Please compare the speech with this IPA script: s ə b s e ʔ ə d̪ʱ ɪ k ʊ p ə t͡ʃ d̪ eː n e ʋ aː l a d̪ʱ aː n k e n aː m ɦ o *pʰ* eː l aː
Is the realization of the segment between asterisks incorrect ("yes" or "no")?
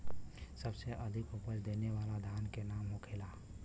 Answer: yes